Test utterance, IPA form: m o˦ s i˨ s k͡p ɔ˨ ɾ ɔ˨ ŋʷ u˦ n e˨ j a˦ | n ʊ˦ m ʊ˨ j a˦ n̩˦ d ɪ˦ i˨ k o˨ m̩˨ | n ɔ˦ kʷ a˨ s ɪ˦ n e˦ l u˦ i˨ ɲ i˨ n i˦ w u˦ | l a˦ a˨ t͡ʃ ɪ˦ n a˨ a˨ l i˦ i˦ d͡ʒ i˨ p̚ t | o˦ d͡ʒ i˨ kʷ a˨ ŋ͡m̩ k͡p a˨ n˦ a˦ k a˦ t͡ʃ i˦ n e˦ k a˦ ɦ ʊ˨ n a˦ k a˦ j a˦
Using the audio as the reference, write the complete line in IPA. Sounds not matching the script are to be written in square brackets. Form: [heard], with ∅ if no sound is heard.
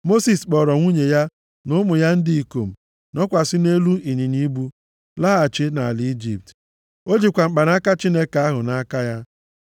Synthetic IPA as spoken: m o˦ s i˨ s k͡p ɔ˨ ɾ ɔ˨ ŋʷ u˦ [ɲ] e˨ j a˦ | n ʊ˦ m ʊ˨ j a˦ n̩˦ d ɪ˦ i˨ k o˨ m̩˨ | n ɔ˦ kʷ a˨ s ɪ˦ n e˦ l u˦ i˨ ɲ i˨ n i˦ [b] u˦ | l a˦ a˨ t͡ʃ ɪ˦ n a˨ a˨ l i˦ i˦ d͡ʒ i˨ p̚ t | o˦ d͡ʒ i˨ kʷ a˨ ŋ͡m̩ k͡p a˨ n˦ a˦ k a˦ t͡ʃ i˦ n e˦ k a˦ ɦ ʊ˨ n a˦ k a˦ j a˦